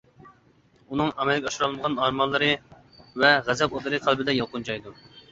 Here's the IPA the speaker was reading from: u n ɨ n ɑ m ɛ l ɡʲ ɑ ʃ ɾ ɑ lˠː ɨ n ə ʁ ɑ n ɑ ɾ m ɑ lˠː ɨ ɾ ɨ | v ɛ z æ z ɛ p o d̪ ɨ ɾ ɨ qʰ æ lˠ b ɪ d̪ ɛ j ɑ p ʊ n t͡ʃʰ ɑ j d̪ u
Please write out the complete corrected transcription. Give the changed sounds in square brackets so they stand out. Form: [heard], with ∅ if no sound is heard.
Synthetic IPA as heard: u n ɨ [ŋ] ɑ m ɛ l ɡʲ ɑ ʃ ɾ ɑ [lˠ] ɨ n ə ʁ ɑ n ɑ ɾ m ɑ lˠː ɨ ɾ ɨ | v ɛ [ʁ] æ z ɛ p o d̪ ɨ ɾ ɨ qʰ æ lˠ b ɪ d̪ ɛ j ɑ [q] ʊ n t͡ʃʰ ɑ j d̪ u